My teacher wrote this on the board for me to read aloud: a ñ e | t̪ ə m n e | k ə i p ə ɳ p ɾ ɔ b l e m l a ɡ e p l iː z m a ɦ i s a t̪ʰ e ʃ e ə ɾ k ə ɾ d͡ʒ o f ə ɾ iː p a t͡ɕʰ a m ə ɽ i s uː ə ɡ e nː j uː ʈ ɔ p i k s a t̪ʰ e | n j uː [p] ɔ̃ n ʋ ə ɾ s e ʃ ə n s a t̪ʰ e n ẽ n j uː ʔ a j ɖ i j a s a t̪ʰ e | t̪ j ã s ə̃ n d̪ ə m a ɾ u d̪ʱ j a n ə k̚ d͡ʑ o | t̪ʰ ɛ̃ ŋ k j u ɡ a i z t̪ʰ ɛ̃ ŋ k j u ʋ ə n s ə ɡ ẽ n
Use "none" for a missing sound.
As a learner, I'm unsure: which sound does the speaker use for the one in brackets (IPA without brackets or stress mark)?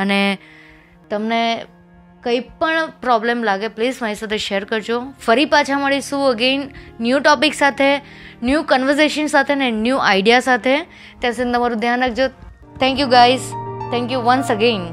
k